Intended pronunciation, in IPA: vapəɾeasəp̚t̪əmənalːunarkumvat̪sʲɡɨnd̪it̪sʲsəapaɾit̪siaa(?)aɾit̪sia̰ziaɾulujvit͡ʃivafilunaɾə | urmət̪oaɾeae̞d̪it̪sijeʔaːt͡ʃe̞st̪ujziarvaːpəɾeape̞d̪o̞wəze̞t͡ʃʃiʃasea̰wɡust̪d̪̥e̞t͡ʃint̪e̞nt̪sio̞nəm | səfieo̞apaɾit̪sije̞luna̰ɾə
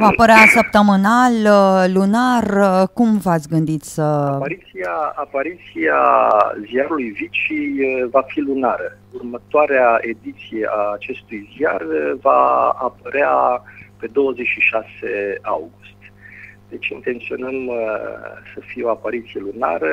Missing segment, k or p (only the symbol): p